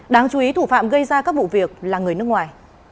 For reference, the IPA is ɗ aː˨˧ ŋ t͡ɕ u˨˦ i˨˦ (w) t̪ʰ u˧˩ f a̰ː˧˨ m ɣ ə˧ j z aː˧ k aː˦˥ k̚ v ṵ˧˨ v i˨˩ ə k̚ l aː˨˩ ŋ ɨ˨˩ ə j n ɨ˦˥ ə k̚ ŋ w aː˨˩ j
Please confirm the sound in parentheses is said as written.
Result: no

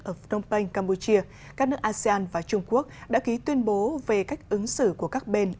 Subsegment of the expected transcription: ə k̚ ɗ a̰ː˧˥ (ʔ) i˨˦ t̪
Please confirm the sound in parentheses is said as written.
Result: no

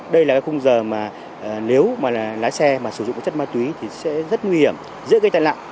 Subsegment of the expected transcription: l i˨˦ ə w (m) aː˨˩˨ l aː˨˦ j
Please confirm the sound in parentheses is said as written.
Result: yes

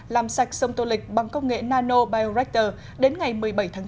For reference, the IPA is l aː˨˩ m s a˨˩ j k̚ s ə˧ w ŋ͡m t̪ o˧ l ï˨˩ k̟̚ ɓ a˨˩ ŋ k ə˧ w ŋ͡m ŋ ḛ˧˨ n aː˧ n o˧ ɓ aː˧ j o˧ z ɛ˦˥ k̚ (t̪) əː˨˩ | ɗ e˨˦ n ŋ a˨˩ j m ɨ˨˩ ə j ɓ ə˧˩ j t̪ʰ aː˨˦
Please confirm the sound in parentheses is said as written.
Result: yes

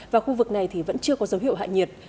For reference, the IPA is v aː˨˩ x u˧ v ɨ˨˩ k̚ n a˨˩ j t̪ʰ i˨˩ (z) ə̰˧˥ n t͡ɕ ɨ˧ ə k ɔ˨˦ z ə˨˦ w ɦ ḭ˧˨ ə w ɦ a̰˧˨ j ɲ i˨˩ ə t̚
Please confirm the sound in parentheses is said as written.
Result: no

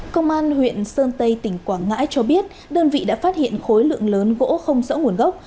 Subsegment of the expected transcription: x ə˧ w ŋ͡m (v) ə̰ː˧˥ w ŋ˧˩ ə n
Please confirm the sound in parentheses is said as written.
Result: no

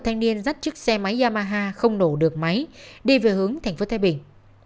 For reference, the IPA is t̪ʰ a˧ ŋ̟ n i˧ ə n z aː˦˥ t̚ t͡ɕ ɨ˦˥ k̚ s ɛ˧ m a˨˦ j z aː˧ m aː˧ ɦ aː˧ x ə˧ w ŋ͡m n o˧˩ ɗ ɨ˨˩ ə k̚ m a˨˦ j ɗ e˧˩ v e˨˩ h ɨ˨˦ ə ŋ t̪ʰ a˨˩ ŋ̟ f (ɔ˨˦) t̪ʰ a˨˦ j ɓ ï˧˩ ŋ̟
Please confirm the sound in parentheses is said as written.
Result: no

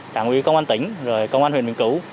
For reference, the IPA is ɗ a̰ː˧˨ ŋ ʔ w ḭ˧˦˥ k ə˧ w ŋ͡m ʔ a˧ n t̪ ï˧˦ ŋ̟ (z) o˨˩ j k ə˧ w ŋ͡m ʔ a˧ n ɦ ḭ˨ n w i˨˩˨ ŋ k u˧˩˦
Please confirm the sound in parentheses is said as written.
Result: yes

